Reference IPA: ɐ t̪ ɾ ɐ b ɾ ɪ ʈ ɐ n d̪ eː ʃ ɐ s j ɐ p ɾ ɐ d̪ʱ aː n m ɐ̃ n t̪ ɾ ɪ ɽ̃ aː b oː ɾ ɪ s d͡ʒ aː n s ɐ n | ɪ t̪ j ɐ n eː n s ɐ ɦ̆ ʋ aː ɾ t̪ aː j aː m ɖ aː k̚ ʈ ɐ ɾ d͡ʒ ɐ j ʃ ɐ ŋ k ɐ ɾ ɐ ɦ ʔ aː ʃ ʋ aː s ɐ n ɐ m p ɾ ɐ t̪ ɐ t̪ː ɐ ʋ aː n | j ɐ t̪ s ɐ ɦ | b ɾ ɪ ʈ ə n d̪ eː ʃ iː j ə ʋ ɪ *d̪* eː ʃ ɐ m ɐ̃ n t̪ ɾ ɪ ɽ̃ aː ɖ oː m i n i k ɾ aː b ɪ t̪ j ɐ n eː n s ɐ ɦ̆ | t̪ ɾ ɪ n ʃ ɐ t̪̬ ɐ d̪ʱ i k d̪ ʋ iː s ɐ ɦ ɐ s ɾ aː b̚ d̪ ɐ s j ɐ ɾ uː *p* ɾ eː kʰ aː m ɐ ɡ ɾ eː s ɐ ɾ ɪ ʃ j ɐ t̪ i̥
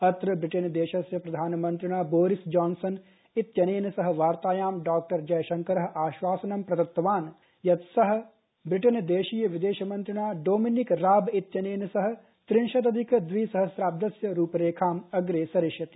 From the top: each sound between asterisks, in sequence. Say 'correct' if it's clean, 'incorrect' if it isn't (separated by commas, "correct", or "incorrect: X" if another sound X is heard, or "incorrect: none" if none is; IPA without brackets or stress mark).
correct, correct